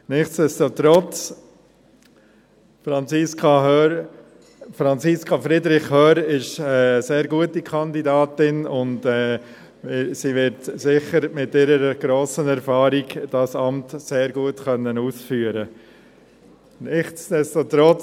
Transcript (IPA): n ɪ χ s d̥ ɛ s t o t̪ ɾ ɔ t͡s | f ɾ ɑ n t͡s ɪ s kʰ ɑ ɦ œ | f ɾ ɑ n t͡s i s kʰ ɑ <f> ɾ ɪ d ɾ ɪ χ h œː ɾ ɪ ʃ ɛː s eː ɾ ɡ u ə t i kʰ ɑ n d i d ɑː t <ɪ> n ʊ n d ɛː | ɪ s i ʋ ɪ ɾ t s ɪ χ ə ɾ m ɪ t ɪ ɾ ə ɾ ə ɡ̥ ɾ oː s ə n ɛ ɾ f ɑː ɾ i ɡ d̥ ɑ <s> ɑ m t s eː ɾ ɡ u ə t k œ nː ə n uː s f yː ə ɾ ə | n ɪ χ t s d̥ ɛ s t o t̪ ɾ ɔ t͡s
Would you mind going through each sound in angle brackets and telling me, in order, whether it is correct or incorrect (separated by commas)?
correct, correct, correct